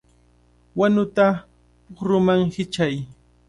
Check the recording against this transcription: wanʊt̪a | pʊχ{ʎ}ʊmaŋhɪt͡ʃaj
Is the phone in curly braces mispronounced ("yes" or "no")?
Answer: yes